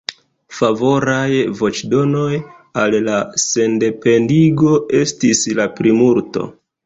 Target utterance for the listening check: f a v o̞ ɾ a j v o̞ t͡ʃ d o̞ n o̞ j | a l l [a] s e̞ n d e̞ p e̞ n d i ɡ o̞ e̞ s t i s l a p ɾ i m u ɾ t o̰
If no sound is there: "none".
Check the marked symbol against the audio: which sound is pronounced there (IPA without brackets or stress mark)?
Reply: a